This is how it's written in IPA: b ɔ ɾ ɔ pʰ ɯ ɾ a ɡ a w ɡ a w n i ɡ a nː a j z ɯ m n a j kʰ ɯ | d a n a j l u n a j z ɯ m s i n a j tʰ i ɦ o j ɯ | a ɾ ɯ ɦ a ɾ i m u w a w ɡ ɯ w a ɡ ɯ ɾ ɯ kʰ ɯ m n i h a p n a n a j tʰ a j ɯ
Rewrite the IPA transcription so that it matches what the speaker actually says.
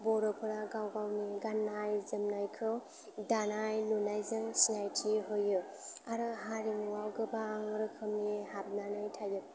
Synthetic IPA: b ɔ ɾ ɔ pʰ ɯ ɾ a ɡ a w ɡ a w n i ɡ a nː a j z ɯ m n a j kʰ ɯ | d a n a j l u n a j z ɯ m s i n a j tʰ i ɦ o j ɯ | a ɾ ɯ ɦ a ɾ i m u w a w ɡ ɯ b a ŋ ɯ ɾ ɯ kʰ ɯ m n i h a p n a n a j tʰ a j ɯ